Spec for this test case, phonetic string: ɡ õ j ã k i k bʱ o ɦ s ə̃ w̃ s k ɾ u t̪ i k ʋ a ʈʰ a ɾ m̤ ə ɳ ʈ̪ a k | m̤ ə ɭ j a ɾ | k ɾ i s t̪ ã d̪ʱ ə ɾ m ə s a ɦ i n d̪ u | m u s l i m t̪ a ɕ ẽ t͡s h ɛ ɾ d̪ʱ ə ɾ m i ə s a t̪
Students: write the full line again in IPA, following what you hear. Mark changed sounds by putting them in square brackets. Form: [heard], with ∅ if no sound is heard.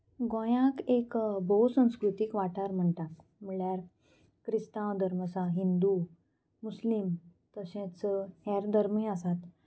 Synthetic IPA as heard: ɡ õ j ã k [e] k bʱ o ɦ s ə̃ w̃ s k ɾ u t̪ i k ʋ a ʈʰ a ɾ m̤ ə ɳ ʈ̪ a k | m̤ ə ɭ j a ɾ | k ɾ i s t̪ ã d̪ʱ ə ɾ m ə s a ɦ i n d̪ u | m u s l i m t̪ [ə] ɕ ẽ t͡s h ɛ ɾ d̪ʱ ə ɾ m i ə s a t̪

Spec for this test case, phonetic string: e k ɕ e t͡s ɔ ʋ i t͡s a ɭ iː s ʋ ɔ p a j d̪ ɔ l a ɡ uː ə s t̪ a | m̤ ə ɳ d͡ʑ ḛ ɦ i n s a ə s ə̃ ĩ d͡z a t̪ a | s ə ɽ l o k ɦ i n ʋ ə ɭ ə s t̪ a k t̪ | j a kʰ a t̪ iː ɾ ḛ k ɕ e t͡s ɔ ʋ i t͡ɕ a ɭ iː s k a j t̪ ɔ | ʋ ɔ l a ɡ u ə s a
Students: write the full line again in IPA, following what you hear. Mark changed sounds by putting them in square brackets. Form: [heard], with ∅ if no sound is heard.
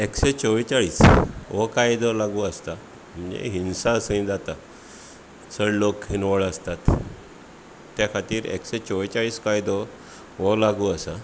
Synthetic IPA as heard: e k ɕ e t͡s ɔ ʋ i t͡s a ɭ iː s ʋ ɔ [k] a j d̪ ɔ l a ɡ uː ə s t̪ a | m̤ ə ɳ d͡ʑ ḛ ɦ i n s a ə s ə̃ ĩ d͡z a t̪ a | s ə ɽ l o k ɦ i n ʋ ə ɭ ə s t̪ a [∅] t̪ | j a kʰ a t̪ iː ɾ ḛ k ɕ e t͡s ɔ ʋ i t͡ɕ a ɭ iː s k a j [d̪] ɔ | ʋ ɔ l a ɡ u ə s a

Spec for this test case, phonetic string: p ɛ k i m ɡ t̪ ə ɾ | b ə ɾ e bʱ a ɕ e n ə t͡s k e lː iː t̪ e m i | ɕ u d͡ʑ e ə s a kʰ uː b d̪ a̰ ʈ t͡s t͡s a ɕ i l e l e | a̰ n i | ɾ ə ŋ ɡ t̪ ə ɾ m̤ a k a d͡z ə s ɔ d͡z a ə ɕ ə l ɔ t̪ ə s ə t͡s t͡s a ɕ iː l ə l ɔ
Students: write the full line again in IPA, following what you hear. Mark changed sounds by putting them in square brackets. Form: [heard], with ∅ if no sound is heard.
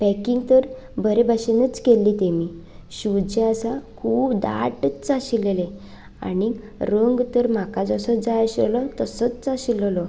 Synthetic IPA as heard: p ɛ k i [ŋ] ɡ t̪ ə ɾ | b ə ɾ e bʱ a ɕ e n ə t͡s k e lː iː t̪ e m i | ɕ u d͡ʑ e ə s a kʰ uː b d̪ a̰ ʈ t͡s t͡s a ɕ i l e l e | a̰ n i | ɾ ə ŋ ɡ t̪ ə ɾ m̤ a k a d͡z ə s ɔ d͡z a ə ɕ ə l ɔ t̪ ə s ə t͡s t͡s a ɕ [i] l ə l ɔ

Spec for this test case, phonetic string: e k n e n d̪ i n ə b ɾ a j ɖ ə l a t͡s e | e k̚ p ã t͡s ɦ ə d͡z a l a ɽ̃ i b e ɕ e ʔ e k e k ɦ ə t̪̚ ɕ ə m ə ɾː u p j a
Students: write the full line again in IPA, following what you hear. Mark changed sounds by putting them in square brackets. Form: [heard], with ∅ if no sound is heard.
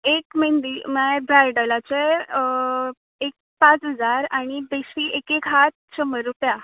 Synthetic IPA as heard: e k [m] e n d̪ i [m] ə b ɾ a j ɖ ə l a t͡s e | e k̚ p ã t͡s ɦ ə d͡z a [ɾ] a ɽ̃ i b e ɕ [i] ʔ e k e k ɦ [a] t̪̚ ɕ ə m ə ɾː u p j a

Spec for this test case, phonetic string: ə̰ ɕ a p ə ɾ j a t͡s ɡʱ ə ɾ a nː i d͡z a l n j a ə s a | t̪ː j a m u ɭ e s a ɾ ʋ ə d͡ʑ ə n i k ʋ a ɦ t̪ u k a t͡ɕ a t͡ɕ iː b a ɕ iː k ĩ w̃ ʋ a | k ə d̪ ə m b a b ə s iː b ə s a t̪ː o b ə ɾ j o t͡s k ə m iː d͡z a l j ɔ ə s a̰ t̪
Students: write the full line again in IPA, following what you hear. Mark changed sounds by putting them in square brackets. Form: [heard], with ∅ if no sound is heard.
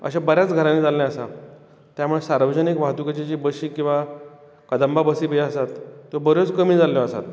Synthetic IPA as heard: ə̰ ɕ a [b] ə ɾ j a t͡s ɡʱ ə ɾ a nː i d͡z a l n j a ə s a | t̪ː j a m u ɭ e s a ɾ ʋ ə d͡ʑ ə n i k ʋ a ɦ t̪ u k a t͡ɕ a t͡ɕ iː b [ə] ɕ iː k ĩ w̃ ʋ a | k ə d̪ ə m b a b ə s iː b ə s a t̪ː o b ə ɾ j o t͡s k ə m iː d͡z a l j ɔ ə s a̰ t̪

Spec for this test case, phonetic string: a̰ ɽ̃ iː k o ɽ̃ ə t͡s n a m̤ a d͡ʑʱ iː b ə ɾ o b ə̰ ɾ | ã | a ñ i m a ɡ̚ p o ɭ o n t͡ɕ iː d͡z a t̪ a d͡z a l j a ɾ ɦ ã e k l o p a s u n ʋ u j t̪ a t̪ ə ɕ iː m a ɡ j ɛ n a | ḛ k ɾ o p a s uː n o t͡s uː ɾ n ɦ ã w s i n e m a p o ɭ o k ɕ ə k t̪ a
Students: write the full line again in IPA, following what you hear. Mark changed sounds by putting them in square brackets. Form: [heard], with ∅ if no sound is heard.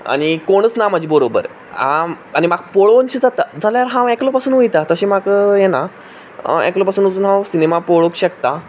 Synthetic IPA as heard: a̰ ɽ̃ [i] k o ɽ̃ ə t͡s n a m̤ a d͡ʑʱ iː b ə ɾ o b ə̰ ɾ | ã | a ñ i m a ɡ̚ p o ɭ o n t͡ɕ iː d͡z a t̪ a d͡z a l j a ɾ ɦ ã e k l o p a s [uː] n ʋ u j t̪ a t̪ ə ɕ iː m a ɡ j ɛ n a | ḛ k [l] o p a s uː n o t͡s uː [∅] n ɦ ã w s i n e m a p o ɭ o k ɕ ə k t̪ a

